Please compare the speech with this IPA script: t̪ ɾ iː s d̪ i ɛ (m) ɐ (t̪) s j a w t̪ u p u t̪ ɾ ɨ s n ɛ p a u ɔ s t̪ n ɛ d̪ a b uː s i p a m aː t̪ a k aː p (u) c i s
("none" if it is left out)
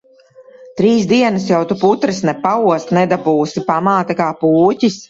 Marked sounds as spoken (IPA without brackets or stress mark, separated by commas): n, none, uː